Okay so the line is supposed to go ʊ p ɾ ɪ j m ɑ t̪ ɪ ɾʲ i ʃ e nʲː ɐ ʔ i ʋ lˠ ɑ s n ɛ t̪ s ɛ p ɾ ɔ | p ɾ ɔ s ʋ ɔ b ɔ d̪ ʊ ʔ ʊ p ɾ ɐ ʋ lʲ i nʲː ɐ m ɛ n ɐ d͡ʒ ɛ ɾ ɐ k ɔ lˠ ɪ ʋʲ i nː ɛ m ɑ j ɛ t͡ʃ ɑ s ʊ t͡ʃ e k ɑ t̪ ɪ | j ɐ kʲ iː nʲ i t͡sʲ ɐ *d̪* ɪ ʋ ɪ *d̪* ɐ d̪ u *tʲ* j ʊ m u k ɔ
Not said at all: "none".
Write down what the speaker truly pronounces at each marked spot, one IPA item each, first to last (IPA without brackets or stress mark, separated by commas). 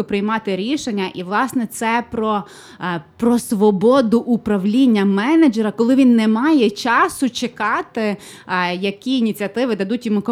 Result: t̪, d̪, tʲ